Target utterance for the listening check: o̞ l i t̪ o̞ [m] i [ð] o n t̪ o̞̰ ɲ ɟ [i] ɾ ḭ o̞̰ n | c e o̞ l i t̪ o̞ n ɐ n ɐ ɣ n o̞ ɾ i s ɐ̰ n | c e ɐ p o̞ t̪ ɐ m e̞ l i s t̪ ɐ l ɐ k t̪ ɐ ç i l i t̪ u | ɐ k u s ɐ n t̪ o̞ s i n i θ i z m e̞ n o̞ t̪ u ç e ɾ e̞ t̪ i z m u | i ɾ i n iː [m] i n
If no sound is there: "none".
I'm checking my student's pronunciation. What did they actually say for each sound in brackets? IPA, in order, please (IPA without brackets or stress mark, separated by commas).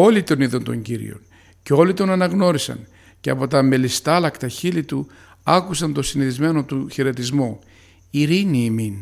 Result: n, ð, i, m